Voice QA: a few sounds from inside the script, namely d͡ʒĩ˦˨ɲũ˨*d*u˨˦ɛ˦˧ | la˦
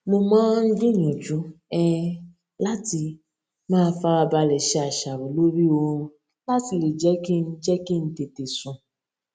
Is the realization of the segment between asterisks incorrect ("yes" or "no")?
yes